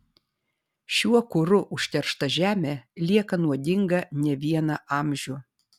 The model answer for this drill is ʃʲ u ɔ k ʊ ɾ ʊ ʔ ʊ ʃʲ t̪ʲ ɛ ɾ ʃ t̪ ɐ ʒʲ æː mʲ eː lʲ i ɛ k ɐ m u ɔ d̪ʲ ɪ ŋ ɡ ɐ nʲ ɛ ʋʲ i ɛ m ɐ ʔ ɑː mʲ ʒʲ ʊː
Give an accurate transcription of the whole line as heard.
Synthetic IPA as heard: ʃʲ u ɔ k ʊ ɾ ʊ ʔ ʊ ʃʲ t̪ʲ ɛ ɾ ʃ t̪ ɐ ʒʲ æː mʲ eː lʲ i ɛ k ɐ n u ɔ d̪ʲ ɪ ŋ ɡ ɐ nʲ ɛ ʋʲ i ɛ n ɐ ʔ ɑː mʲ ʒʲ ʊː